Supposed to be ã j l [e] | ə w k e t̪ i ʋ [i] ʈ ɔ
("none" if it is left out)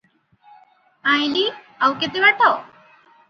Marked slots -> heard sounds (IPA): i, a

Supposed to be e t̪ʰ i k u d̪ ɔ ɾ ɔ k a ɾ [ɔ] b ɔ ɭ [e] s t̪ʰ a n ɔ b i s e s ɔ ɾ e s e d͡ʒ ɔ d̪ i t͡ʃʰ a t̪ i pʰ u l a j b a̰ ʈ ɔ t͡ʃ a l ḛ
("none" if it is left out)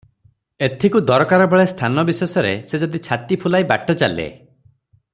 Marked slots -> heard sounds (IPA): ɔ, e

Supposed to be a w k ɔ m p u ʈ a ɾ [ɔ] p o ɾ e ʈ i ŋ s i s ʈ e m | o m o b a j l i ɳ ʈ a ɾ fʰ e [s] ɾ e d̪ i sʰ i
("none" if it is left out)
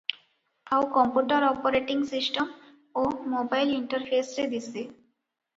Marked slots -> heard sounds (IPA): ɔ, s

